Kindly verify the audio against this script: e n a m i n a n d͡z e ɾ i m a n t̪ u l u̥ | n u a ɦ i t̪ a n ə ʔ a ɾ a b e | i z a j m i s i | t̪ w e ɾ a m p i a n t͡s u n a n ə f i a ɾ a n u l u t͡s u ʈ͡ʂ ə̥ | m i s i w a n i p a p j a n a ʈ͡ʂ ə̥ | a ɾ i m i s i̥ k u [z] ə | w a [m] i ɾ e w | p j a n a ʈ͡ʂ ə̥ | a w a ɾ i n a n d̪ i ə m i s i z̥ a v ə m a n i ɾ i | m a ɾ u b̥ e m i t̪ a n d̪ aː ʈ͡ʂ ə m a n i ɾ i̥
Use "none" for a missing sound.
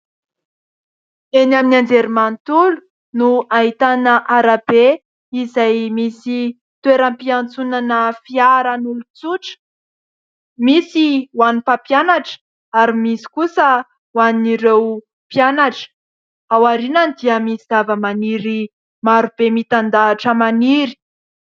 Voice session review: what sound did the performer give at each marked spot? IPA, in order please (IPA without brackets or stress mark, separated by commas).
s, n